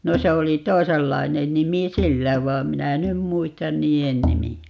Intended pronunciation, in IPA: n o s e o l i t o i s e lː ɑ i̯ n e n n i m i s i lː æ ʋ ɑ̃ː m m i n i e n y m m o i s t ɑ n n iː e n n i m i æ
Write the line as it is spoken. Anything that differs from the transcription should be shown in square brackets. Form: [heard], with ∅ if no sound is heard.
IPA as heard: n o s e o l i t o i s e lː ɑ i̯ n e n n i m i s i lː æ ʋ [ɑː] m m i n [æ] e n y m m [u] i s t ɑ n n iː e n n i m i æ